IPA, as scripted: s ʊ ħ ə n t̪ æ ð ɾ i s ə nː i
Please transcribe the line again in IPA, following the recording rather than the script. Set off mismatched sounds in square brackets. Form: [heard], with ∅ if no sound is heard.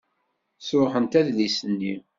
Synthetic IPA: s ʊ ħ ə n t̪ æ ð [l] i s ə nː i

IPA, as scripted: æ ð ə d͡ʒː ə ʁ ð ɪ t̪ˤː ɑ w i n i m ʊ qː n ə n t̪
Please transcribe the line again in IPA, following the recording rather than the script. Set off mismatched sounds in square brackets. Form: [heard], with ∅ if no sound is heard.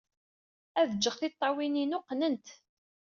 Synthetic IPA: æ ð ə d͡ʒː ə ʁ [θ] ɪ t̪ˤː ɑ w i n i [n] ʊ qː n ə n t̪

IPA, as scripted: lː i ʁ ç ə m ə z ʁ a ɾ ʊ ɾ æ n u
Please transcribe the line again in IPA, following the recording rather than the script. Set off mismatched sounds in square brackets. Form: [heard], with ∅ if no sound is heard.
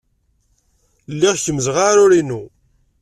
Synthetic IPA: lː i ʁ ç ə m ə z ʁ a ɾ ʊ ɾ [i] n u

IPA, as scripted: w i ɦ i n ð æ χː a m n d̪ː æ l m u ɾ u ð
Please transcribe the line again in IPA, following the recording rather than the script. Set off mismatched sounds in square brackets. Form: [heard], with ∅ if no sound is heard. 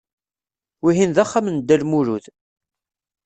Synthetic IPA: w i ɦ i n ð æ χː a m n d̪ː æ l m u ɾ u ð

